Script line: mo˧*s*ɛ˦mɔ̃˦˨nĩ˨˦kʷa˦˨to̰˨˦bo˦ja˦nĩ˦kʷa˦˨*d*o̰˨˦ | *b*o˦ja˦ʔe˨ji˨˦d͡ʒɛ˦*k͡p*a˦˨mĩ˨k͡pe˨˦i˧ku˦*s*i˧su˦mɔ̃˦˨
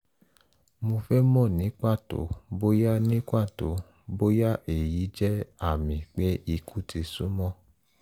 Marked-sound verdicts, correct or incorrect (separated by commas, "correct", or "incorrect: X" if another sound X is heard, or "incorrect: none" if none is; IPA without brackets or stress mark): incorrect: f, incorrect: t, correct, incorrect: none, incorrect: t